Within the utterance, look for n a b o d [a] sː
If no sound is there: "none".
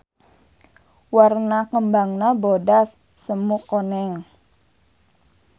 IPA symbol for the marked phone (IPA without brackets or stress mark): a